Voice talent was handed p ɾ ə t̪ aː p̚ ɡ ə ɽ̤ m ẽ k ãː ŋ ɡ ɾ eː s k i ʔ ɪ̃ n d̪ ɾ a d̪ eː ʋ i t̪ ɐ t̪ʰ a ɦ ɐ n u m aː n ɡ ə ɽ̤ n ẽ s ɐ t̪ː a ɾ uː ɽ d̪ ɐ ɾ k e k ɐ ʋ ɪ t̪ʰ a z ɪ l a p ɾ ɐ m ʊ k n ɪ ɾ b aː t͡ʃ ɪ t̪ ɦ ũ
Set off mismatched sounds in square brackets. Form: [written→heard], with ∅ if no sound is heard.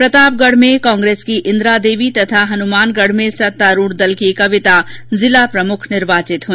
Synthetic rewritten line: p ɾ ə t̪ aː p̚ ɡ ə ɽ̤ m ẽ k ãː ŋ ɡ ɾ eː s k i ʔ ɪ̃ n d̪ ɾ a d̪ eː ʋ i t̪ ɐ t̪ʰ a ɦ ɐ n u m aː n ɡ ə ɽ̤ [n→m] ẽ s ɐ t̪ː a ɾ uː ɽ d̪ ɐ [ɾ→l] k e k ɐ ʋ ɪ [t̪ʰ→t̪] a z ɪ l a p ɾ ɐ m ʊ [k→kʰ] n ɪ ɾ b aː t͡ʃ ɪ t̪ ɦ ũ